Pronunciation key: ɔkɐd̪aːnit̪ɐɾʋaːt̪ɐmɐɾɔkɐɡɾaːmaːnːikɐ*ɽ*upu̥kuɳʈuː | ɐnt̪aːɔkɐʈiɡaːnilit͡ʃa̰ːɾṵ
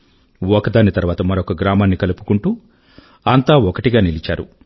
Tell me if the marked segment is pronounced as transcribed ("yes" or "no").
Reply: no